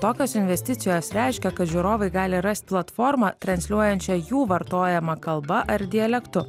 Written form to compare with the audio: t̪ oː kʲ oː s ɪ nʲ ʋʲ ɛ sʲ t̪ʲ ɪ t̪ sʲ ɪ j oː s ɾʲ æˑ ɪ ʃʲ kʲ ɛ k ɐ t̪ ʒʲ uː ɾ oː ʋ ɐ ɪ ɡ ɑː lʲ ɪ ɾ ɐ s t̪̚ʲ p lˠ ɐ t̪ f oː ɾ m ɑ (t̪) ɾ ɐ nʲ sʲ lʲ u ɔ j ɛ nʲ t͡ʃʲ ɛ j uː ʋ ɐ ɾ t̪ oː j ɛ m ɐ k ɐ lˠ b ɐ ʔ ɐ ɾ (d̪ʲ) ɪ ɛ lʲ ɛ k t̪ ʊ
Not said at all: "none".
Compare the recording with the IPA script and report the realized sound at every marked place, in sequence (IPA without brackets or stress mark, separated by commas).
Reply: t̪, d̪ʲ